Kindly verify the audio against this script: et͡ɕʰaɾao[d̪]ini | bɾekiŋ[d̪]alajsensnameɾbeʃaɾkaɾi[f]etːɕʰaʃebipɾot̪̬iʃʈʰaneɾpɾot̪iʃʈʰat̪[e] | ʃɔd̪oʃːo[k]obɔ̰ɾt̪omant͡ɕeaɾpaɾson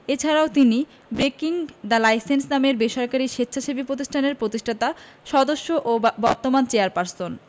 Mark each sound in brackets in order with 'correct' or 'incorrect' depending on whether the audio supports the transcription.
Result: incorrect: t̪, correct, incorrect: ʃ, incorrect: a, incorrect: ʔ

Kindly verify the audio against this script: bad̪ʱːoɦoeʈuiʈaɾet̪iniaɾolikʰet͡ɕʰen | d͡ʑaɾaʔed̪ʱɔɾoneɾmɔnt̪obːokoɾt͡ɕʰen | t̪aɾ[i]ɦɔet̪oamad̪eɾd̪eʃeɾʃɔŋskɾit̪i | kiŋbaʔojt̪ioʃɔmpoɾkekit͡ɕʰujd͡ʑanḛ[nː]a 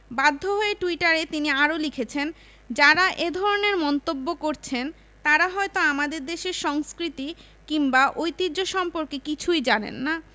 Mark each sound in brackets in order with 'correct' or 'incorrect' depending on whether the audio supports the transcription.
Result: incorrect: a, correct

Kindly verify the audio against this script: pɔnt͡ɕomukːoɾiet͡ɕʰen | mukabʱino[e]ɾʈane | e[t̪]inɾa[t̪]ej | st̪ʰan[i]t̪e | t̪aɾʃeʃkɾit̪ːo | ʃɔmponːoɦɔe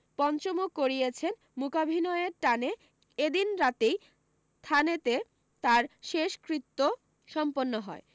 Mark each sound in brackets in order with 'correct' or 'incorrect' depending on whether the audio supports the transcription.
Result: correct, incorrect: d̪, correct, incorrect: e

